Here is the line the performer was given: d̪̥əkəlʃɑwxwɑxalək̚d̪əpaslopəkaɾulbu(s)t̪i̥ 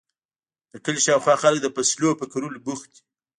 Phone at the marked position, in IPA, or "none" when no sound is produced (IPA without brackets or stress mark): x